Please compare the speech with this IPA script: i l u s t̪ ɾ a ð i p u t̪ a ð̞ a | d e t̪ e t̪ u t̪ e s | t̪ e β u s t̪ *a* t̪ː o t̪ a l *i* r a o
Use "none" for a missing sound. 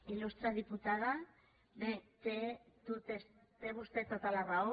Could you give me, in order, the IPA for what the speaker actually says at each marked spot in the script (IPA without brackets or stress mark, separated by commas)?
e, a